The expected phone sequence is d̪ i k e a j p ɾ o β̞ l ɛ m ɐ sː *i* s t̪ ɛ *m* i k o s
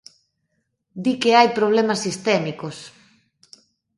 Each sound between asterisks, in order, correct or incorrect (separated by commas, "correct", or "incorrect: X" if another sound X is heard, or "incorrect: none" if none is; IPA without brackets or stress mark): correct, correct